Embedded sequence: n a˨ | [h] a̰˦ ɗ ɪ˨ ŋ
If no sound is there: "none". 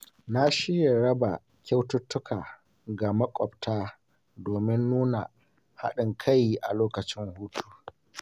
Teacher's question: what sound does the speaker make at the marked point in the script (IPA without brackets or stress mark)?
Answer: h